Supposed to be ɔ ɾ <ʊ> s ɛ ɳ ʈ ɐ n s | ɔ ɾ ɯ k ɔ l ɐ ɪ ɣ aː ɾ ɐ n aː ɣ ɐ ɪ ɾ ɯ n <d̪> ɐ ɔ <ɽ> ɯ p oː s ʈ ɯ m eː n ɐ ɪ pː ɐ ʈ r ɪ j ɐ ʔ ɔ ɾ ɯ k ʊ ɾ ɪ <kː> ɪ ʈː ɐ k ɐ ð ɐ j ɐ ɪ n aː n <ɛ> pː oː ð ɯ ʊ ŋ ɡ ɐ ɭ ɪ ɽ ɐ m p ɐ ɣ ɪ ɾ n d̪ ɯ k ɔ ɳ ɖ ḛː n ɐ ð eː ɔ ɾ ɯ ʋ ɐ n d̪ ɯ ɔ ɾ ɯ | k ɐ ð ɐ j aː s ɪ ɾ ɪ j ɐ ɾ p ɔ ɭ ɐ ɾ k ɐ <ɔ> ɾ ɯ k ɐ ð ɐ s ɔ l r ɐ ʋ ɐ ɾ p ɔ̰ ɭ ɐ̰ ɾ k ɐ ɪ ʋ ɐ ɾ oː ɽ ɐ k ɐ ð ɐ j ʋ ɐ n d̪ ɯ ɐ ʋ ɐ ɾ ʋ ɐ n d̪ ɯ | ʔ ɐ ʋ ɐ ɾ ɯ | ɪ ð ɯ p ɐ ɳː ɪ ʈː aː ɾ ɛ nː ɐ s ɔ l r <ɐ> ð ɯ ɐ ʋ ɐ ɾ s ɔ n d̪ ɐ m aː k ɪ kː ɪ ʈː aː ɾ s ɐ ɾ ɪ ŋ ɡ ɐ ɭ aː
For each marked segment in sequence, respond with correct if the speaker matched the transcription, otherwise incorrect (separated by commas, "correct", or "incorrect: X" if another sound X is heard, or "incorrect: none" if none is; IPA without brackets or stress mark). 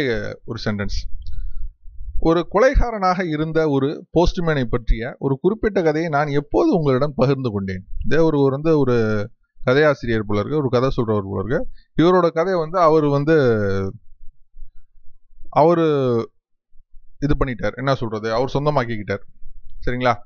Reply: incorrect: ɯ, correct, incorrect: ɾ, incorrect: pː, correct, correct, correct